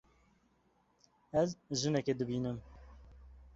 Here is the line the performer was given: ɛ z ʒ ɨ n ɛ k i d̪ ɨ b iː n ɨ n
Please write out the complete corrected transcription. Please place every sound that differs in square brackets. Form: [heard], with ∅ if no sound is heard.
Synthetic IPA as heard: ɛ z ʒ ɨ n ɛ k [e] d̪ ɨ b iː n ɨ [m]